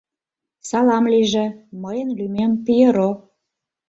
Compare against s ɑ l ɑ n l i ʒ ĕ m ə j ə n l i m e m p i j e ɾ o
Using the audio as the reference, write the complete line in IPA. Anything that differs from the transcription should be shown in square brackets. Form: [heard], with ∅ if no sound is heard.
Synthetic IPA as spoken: s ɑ l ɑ [m] l i ʒ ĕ m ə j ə n l [y] m e m p i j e ɾ o